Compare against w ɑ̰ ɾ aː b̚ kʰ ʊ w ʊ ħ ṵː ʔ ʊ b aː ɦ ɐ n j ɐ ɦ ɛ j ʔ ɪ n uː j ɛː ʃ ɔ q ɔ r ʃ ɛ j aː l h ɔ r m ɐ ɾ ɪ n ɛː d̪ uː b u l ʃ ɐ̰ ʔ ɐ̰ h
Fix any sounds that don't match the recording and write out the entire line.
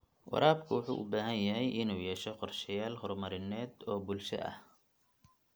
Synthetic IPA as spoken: w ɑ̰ ɾ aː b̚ kʰ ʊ w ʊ ħ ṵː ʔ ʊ b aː ɦ ɐ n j ɐ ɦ ɛ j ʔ ɪ n uː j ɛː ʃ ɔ q ɔ r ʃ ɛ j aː l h ɔ r m ɐ ɾ ɪ n ɛː d̪ ɔː b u l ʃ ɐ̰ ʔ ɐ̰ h